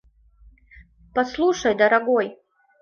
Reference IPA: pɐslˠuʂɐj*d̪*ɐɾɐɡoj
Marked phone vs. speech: correct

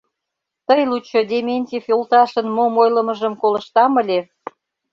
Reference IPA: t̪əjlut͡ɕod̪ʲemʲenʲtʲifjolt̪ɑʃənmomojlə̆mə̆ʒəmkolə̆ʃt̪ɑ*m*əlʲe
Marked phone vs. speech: correct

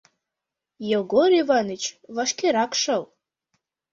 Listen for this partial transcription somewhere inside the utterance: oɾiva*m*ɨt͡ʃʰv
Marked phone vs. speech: incorrect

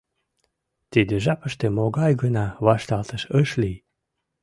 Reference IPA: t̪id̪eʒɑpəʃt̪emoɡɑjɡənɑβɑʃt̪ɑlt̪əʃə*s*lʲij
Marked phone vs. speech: incorrect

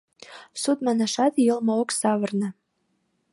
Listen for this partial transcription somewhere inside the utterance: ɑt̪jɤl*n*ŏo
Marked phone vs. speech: incorrect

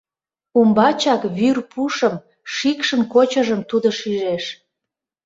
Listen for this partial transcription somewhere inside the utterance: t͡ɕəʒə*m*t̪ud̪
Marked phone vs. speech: correct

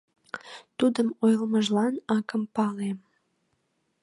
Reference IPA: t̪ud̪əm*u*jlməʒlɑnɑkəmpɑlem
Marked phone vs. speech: incorrect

